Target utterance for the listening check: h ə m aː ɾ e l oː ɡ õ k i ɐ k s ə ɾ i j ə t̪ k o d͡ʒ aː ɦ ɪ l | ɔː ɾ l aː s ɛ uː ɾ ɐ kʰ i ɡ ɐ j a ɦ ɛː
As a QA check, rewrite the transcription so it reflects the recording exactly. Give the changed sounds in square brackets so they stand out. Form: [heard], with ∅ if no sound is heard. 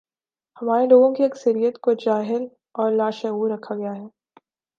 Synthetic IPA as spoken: h [ɐ] m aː ɾ e l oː ɡ õ k i ɐ k s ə ɾ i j ə t̪ k o d͡ʒ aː ɦ ɪ l | ɔː ɾ l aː [ʃ] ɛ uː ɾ ɐ kʰ [a] ɡ ɐ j a ɦ ɛː

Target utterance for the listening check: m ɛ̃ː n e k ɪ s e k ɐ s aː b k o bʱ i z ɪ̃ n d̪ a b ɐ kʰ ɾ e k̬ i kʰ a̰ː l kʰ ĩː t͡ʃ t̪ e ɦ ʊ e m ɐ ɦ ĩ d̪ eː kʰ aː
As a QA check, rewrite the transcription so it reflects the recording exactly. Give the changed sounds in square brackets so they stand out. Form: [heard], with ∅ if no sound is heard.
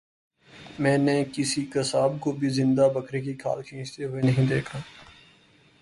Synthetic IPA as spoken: m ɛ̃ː n e k ɪ s [i] k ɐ s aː b k o bʱ i z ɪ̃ n d̪ a b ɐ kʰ ɾ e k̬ i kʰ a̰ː l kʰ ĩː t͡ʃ t̪ e ɦ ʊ e [n] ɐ ɦ ĩ d̪ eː kʰ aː

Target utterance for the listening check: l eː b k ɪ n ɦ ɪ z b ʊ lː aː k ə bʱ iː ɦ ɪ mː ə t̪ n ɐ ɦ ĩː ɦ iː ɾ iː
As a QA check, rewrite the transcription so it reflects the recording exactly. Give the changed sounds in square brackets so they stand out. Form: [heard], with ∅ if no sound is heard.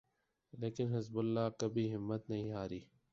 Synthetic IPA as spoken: l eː [∅] k ɪ n ɦ ɪ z b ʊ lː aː k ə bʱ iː ɦ ɪ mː ə t̪ n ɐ ɦ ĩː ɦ [aː] ɾ iː

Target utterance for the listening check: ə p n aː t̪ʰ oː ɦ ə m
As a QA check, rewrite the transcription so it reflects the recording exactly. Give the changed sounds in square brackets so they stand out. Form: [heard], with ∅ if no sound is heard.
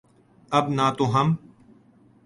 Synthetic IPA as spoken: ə [b] n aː [t̪] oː ɦ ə m

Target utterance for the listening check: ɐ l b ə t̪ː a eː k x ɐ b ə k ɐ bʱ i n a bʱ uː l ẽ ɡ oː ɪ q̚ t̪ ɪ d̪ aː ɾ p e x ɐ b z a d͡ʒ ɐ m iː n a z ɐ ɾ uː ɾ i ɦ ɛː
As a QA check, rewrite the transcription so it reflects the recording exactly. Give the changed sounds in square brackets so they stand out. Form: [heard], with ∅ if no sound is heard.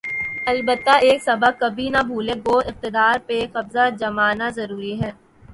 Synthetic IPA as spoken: ɐ l b ə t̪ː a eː k [s] ɐ b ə k ɐ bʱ i n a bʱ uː l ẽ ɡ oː ɪ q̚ t̪ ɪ d̪ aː ɾ p e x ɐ b z a d͡ʒ ɐ m [aː] n a z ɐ ɾ uː ɾ i ɦ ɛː

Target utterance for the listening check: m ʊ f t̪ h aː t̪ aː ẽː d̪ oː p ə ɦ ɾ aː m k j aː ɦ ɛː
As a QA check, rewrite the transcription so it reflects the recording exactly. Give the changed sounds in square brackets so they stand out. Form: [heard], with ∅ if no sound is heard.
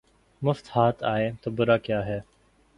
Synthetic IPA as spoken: m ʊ f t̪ h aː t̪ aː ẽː [t̪] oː [b] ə [∅] ɾ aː [∅] k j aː ɦ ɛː

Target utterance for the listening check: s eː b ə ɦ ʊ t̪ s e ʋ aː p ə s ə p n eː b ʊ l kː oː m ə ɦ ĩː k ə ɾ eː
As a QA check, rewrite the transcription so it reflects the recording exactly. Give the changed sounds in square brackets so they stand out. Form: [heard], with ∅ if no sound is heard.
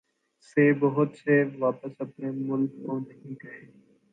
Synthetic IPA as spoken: s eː b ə ɦ ʊ t̪ s e ʋ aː p ə s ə p n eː [m] ʊ l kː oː [n] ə ɦ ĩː k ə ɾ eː

